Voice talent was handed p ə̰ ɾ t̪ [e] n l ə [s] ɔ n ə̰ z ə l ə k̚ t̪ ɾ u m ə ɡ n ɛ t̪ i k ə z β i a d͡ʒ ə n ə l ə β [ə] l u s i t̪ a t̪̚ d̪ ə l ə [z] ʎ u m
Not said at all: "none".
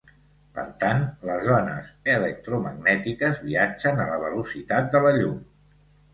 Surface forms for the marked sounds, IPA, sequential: a, z, ə, none

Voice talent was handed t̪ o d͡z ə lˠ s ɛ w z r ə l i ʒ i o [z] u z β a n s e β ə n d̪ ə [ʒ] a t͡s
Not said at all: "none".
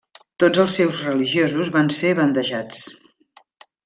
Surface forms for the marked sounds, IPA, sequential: z, ʒ

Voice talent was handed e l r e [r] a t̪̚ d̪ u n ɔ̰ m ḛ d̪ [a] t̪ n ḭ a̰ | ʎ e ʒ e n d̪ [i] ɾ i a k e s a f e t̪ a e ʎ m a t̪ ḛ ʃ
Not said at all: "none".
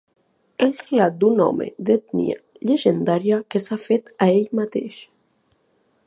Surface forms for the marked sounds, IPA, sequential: l, e, a

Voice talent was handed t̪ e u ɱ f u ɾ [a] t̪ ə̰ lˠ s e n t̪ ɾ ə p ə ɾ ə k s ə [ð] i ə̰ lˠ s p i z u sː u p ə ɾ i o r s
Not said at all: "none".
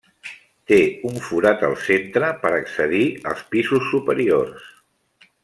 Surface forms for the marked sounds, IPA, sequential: a, ð

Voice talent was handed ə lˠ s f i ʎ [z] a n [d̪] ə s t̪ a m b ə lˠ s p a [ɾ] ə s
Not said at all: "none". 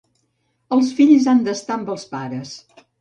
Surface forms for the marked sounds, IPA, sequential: z, d̪, ɾ

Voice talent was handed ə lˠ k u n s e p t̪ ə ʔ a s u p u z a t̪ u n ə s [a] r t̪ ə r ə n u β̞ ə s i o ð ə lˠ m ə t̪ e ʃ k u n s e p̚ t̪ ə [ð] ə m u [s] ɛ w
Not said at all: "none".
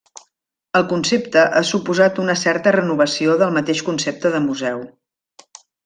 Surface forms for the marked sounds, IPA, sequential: ɛ, ð, z

